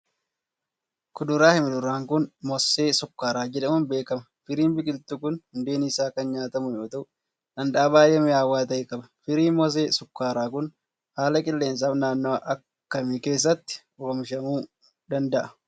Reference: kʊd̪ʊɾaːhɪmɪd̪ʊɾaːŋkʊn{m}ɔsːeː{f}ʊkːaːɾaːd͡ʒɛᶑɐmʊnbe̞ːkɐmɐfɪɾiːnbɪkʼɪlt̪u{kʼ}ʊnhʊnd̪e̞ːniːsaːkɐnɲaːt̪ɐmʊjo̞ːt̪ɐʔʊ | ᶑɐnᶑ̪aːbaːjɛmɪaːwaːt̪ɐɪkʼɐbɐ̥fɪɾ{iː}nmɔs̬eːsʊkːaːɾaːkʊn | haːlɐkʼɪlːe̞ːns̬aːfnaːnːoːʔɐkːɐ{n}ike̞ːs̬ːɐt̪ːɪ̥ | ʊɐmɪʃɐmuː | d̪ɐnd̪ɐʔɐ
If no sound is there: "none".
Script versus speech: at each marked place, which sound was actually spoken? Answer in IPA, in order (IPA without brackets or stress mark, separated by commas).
m, s, k, iː, m